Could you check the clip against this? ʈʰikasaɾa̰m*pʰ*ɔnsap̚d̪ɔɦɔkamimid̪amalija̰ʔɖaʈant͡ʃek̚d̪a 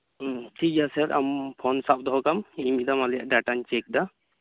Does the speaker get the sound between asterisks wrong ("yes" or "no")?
no